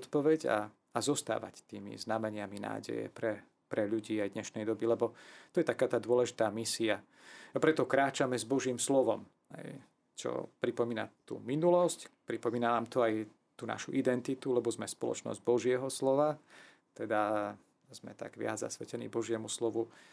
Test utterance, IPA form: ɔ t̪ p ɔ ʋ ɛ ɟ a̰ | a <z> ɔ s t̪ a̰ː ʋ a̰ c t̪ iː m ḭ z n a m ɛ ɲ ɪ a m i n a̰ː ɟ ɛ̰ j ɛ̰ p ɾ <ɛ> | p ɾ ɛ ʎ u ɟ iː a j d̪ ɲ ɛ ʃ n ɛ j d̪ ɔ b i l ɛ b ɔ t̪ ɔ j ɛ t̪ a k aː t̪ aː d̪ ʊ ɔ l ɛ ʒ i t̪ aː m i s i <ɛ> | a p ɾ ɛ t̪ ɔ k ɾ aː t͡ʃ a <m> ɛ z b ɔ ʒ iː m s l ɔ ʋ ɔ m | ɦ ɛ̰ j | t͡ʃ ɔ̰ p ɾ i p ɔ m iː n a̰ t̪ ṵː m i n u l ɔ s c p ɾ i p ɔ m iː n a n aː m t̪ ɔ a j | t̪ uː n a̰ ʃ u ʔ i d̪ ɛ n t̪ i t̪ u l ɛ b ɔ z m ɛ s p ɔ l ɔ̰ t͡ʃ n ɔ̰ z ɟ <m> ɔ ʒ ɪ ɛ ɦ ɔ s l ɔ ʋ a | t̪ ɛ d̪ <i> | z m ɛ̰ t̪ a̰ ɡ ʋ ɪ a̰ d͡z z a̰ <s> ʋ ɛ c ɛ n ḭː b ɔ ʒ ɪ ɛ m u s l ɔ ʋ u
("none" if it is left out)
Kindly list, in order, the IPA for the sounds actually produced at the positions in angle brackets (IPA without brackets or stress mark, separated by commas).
z, ɛ, a, m, b, a, s